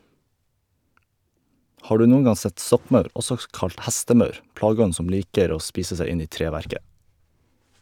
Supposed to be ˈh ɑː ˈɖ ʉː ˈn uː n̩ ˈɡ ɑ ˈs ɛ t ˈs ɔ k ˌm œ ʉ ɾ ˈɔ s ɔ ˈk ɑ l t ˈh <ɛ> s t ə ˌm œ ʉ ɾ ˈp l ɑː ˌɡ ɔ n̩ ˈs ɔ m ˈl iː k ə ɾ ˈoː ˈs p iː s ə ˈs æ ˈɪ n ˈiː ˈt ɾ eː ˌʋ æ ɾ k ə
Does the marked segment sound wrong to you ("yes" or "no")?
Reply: yes